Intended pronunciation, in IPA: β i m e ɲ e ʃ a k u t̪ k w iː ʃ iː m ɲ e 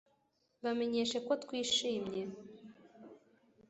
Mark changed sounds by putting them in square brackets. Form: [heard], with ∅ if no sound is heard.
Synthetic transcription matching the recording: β [a] m e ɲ e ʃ [e] k [o] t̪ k w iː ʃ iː m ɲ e